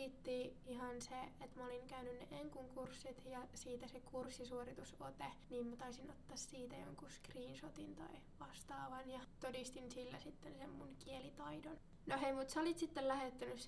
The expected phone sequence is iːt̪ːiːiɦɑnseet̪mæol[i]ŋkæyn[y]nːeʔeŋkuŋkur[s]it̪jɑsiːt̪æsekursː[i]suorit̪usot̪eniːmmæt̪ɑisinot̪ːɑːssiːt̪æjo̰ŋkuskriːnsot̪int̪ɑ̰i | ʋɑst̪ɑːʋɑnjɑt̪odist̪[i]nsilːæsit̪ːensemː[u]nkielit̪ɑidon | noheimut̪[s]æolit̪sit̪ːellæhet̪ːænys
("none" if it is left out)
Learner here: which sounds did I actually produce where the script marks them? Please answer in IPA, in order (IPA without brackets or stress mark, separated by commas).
i, y, sː, i, i, u, s